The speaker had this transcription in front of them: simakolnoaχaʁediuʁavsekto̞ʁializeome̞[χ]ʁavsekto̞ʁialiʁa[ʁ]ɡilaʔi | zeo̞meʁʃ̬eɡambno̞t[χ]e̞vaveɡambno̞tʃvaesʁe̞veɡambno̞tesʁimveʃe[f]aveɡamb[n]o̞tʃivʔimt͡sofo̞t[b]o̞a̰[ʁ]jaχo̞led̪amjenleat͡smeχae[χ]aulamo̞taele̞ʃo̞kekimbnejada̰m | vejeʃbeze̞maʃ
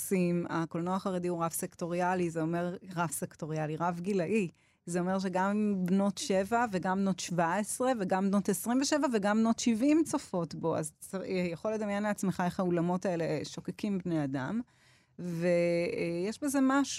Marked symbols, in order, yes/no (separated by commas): no, no, no, no, yes, yes, no, yes